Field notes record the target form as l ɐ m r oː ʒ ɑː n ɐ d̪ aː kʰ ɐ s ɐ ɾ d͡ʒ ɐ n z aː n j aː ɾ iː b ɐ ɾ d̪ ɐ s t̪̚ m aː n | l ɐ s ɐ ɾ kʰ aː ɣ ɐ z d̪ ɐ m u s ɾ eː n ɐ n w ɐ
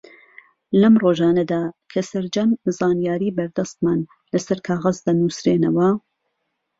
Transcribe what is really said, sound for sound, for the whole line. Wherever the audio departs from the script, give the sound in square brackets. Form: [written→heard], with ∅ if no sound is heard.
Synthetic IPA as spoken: l ɐ m r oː ʒ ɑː n ɐ d̪ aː kʰ ɐ s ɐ ɾ d͡ʒ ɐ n z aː n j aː ɾ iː b ɐ ɾ d̪ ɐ s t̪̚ m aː n | l ɐ s ɐ ɾ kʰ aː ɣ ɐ z d̪ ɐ [m→n] u s ɾ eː n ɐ [n→∅] w ɐ

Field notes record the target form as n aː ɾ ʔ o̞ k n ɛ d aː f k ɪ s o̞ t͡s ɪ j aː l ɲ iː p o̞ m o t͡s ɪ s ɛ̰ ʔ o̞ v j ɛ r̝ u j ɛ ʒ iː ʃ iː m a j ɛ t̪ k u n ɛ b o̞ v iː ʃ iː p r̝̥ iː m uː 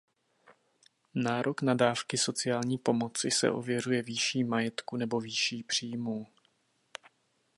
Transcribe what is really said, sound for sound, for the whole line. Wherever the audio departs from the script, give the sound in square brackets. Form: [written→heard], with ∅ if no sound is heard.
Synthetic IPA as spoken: n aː ɾ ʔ o̞ k n [ɛ→a] d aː f k ɪ s o̞ t͡s ɪ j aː l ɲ iː p o̞ m o t͡s ɪ s ɛ̰ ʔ o̞ v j ɛ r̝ u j ɛ [ʒ→v] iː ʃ iː m a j ɛ t̪ k u n ɛ b o̞ v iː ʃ iː p r̝̥ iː m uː

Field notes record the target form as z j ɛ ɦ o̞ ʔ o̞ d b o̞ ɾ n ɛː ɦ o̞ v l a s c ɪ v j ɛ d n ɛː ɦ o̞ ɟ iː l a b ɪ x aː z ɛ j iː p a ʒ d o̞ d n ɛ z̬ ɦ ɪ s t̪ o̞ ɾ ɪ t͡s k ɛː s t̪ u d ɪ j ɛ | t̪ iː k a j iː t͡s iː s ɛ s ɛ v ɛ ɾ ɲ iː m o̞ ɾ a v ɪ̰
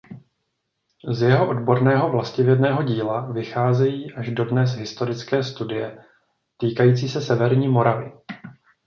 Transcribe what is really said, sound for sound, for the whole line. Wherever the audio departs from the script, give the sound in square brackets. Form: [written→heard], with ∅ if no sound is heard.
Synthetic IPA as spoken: z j ɛ ɦ o̞ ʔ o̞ d b o̞ ɾ n ɛː ɦ o̞ v l a s c ɪ v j ɛ d n ɛː ɦ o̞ ɟ iː l a [b→v] ɪ x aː z ɛ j iː [p→ʔ] a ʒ d o̞ d n ɛ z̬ ɦ ɪ s t̪ o̞ ɾ ɪ t͡s k ɛː s t̪ u d ɪ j ɛ | t̪ iː k a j iː t͡s iː s ɛ s ɛ v ɛ ɾ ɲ iː m o̞ ɾ a v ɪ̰

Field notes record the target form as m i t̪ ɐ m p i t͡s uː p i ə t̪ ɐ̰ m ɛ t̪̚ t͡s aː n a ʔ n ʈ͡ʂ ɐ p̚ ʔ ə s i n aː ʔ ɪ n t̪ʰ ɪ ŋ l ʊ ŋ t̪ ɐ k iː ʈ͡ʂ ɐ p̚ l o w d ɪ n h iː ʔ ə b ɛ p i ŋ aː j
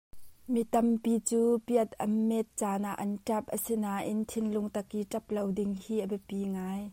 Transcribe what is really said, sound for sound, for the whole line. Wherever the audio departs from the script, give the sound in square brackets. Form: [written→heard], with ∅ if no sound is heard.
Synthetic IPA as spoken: m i t̪ ɐ m p i t͡s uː p i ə t̪ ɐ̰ m ɛ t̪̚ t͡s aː n a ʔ n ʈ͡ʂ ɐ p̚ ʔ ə s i n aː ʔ ɪ n t̪ʰ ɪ [ŋ→n] l ʊ ŋ t̪ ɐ k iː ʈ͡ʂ ɐ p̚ l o w d ɪ [n→ŋ] h iː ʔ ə b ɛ p i ŋ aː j

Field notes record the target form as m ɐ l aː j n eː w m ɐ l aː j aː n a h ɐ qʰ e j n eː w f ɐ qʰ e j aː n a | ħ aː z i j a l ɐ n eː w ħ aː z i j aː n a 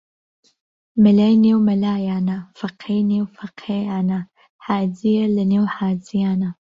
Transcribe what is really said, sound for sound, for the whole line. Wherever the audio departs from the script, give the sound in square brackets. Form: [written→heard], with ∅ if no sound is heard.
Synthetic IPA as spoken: m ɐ l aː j n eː w m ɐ l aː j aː n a [h→f] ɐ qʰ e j n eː w f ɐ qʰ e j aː n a | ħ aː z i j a l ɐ n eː w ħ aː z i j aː n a

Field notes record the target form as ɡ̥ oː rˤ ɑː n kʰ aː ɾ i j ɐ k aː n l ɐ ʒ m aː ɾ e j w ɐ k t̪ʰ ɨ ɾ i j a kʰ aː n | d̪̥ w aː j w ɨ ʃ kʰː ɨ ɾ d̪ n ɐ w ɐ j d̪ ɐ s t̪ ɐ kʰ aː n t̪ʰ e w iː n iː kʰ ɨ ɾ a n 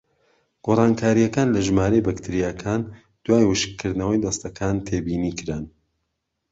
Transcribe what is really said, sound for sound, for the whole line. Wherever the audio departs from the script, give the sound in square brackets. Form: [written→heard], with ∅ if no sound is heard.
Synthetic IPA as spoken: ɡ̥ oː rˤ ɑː n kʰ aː ɾ i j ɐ k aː n l ɐ ʒ m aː ɾ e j [w→b] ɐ k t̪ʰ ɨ ɾ i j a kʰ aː n | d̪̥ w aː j w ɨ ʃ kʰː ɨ ɾ d̪ n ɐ w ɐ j d̪ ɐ s t̪ ɐ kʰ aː n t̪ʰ e [w→b] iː n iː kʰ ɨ ɾ a n

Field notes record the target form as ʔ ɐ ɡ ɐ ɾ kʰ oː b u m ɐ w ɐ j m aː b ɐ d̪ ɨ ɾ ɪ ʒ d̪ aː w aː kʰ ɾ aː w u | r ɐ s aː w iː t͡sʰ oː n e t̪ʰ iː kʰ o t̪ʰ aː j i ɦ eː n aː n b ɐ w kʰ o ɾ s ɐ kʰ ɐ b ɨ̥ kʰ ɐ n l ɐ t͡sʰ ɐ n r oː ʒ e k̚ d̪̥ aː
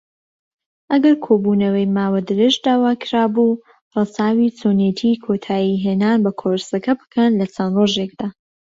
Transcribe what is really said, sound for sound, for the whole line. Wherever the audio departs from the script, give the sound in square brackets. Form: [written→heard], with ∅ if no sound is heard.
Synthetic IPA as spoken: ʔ ɐ ɡ ɐ ɾ kʰ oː b u [m→n] ɐ w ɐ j m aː [b→w] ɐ d̪ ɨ ɾ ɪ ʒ d̪ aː w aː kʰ ɾ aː [w→b] u | r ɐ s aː w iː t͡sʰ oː n e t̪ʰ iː kʰ o t̪ʰ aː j i ɦ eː n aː n b ɐ [w→∅] kʰ o ɾ s ɐ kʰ ɐ b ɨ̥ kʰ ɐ n l ɐ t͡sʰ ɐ n r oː ʒ e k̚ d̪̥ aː

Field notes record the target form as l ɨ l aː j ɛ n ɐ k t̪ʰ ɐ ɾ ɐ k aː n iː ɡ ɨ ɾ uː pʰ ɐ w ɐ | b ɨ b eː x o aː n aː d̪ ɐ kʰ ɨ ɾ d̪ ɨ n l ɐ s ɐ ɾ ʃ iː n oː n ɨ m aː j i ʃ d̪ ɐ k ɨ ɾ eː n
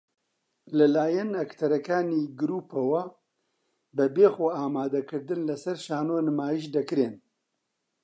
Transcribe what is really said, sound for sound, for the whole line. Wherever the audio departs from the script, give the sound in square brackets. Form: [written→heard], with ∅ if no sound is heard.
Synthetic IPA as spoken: l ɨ l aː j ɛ n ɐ k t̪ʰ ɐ ɾ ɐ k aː n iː ɡ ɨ ɾ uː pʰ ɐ w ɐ | b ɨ b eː x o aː [n→m] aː d̪ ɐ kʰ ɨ ɾ d̪ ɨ n l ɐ s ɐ ɾ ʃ [iː→aː] n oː n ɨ m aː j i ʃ d̪ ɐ k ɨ ɾ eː n

